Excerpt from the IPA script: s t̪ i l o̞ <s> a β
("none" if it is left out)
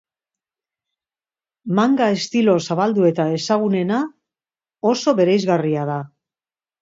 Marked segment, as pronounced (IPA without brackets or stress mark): s